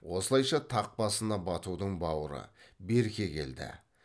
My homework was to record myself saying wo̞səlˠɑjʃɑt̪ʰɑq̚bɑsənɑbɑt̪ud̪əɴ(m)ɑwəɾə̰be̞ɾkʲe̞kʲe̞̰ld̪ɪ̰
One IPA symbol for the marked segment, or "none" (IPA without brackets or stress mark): b